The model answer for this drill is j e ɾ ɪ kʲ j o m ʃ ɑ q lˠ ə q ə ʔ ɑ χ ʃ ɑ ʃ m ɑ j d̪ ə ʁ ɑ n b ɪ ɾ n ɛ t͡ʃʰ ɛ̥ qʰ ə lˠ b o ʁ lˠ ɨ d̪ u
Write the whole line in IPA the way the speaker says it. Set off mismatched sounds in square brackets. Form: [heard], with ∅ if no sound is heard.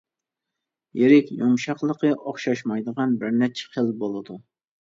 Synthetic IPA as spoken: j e ɾ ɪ kʲ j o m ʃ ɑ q lˠ ə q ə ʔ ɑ χ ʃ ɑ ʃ m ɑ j d̪ ə ʁ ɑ n b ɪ ɾ n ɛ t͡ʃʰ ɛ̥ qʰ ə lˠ b o [∅] lˠ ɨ d̪ u

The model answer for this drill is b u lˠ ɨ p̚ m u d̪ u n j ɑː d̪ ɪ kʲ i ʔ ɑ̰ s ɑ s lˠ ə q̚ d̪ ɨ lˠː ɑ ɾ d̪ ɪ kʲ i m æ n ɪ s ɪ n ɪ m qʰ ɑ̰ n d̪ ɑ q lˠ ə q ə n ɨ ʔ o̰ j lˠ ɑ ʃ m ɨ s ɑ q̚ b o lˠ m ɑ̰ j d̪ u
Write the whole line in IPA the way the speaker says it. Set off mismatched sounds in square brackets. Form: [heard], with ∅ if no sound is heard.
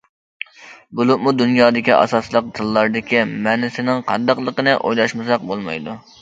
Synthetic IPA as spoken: b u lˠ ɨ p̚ m u d̪ u n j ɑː d̪ ɪ kʲ i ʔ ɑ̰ s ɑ s lˠ ə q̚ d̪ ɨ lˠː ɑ ɾ d̪ ɪ kʲ i m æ n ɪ s ɪ n ɪ [ŋ] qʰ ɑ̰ n d̪ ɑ q lˠ ə q ə n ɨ ʔ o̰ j lˠ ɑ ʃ m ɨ s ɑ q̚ b o lˠ m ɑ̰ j d̪ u

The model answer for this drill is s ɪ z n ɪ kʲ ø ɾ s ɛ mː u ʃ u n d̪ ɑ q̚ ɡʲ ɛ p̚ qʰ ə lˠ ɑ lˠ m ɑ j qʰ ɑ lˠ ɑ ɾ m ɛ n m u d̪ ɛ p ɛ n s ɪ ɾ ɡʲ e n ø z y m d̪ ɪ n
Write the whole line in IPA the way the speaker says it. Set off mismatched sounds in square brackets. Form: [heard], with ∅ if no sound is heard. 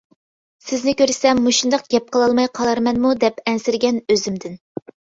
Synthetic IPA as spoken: s ɪ z n ɪ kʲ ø ɾ s ɛ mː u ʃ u n d̪ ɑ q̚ ɡʲ ɛ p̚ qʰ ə lˠ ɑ lˠ m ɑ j qʰ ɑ lˠ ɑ ɾ m ɛ n m u d̪ ɛ p ɛ n s ɪ ɾ ɡʲ [ɛ] n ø z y m d̪ ɪ n

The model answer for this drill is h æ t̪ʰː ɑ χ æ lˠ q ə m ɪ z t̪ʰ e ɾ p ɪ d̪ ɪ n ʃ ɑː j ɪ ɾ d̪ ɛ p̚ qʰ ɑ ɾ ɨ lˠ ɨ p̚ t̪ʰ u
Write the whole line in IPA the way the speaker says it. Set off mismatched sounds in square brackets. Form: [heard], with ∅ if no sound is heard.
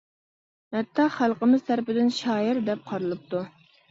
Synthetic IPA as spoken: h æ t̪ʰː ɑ χ æ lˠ q ə m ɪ z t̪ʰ [æ] ɾ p ɪ d̪ ɪ n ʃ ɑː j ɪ ɾ d̪ ɛ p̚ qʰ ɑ ɾ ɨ lˠ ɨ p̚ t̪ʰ u

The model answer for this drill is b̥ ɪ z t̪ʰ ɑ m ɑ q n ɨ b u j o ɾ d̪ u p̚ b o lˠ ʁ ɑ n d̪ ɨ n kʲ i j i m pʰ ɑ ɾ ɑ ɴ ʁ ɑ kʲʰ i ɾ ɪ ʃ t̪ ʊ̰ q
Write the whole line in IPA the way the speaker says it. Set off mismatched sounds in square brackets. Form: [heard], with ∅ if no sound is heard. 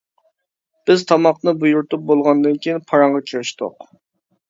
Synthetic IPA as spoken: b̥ ɪ z t̪ʰ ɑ m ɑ q n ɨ b u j [u] ɾ [t̪] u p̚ b o lˠ ʁ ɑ n d̪ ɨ n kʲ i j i [n] pʰ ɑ ɾ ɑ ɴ ʁ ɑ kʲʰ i ɾ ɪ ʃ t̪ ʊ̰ q

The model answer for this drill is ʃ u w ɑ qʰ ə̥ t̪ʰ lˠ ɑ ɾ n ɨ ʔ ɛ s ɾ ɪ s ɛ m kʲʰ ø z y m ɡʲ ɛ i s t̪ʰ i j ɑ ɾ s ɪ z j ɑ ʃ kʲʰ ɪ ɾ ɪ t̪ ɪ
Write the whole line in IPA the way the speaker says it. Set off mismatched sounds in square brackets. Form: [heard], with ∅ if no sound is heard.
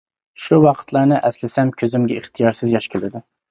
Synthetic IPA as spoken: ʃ u w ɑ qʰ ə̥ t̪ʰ lˠ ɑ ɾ n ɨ ʔ ɛ s [l] ɪ s ɛ m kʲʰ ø z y m ɡʲ ɛ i [χ] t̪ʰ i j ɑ ɾ s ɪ z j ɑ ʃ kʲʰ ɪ [l] ɪ [d̪] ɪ

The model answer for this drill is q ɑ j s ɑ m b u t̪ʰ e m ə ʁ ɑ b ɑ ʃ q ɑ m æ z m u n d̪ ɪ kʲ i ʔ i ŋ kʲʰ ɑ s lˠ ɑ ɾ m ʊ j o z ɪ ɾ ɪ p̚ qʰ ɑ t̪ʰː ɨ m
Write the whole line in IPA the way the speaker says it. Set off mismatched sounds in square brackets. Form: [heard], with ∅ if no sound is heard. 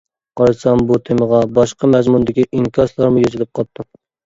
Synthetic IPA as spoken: q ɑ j s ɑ m b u t̪ʰ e m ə ʁ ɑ b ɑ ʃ q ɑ m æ z m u n d̪ ɪ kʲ i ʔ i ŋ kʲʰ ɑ s lˠ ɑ ɾ m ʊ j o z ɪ [l] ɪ p̚ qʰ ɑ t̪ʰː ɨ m

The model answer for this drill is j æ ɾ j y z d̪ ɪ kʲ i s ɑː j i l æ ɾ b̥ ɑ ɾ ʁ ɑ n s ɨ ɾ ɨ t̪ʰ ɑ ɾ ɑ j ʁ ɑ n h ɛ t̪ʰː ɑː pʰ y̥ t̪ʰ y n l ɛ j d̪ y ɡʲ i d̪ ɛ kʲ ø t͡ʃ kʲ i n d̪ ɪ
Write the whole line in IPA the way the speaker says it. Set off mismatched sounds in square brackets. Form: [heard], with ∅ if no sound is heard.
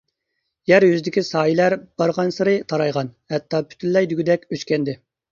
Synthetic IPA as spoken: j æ ɾ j y z d̪ ɪ kʲ i s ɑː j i l æ ɾ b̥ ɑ ɾ ʁ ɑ n s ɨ ɾ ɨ t̪ʰ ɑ ɾ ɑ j ʁ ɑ n h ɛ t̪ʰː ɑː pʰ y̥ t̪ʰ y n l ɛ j d̪ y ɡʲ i d̪ ɛ kʲ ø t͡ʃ kʲ [ɛ] n d̪ ɪ

